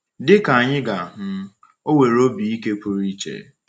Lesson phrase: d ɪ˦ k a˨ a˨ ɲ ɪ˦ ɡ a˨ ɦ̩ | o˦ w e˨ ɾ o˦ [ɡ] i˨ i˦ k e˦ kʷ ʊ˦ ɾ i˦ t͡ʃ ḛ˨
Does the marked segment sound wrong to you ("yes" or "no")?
yes